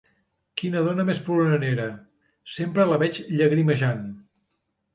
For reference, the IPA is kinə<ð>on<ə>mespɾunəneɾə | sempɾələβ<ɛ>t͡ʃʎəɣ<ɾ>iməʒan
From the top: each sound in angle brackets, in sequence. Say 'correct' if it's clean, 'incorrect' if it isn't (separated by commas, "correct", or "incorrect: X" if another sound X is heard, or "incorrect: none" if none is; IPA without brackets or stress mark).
correct, correct, correct, correct